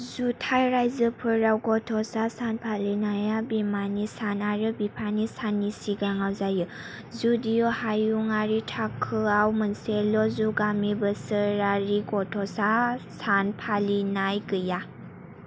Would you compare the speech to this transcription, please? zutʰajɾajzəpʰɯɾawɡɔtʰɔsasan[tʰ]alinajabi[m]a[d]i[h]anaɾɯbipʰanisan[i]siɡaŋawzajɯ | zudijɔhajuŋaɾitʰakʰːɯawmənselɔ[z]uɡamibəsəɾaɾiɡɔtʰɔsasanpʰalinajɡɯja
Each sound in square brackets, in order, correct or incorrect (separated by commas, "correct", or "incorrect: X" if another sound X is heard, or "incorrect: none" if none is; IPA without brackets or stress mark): incorrect: pʰ, correct, incorrect: n, incorrect: s, correct, correct